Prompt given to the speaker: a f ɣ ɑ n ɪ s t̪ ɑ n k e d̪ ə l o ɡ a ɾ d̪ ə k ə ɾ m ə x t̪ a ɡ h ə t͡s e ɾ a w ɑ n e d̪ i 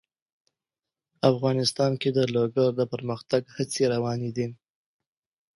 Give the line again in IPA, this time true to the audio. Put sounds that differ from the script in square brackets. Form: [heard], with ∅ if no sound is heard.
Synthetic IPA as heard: a f ɣ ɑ n ɪ s t̪ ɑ n k e d̪ ə l o ɡ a ɾ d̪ ə [p] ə ɾ m ə x t̪ a ɡ h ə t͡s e ɾ a w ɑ n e d̪ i